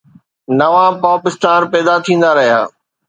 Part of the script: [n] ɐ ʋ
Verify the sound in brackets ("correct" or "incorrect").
correct